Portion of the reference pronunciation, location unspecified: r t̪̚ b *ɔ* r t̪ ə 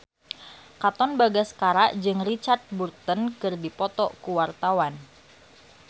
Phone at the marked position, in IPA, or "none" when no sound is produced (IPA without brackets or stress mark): u